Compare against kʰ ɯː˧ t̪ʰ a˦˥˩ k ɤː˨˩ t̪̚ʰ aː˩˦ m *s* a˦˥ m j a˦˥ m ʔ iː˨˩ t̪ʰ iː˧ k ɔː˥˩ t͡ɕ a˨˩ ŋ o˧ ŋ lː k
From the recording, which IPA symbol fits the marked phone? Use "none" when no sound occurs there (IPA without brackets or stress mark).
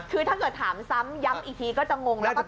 s